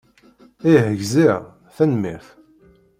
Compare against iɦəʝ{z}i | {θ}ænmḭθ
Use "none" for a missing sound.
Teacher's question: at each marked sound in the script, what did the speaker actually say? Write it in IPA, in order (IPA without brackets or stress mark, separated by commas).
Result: z, θ